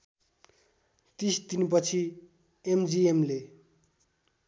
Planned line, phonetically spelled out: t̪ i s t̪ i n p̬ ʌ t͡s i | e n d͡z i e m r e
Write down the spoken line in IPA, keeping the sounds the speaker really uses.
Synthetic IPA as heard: t̪ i s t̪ i n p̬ ʌ t͡sʰ i | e m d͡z i e m l e